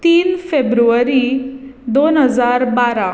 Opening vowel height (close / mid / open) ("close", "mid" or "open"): close